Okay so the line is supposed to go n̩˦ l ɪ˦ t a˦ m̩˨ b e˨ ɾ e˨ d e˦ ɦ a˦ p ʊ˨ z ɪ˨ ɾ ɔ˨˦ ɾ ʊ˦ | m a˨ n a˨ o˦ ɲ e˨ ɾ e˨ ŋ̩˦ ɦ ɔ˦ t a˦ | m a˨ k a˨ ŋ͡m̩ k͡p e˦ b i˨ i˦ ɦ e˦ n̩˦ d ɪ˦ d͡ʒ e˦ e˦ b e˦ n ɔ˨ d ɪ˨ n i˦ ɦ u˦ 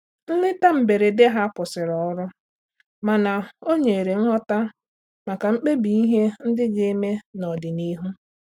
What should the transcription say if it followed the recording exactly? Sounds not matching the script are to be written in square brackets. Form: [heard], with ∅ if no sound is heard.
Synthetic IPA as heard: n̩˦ l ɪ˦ t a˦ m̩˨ b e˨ ɾ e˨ d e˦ ɦ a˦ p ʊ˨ [s] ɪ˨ ɾ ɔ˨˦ ɾ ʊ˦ | m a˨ n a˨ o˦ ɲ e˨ ɾ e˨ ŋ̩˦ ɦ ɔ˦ t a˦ | m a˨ k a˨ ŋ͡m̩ k͡p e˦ b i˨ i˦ ɦ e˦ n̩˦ d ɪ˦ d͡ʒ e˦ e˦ [m] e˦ n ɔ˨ d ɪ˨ n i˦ ɦ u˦